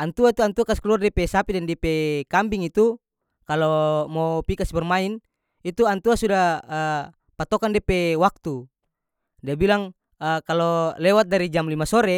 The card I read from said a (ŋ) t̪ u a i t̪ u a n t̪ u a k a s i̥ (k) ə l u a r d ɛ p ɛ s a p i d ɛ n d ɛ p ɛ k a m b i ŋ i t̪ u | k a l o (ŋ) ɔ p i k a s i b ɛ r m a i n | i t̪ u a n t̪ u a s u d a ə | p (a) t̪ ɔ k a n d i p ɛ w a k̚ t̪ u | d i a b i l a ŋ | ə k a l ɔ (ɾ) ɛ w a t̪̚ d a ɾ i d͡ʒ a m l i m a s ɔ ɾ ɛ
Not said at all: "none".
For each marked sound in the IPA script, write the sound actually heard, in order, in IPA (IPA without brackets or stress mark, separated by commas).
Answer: n, k, m, a, l